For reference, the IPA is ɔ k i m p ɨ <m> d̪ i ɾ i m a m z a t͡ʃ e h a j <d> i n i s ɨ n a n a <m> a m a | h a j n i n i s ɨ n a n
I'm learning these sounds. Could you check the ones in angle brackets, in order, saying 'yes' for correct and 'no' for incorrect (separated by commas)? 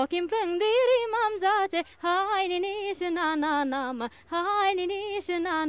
no, no, no